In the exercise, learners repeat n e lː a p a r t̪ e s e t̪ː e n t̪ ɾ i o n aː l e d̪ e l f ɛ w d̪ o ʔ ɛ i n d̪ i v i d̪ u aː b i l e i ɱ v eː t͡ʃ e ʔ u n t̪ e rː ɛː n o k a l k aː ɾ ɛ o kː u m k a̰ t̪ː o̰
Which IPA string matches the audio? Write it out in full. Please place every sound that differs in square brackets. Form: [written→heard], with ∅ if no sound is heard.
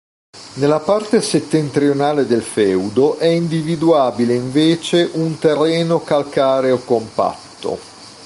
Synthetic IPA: n e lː a p a r t̪ e s e t̪ː e n t̪ ɾ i o n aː l e d̪ e l f ɛ w d̪ o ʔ ɛ i n d̪ i v i d̪ u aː b i l e i ɱ v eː t͡ʃ e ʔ u n t̪ e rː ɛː n o k a l k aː ɾ [ɛ→e] o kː [u→o] m [k→p] a̰ t̪ː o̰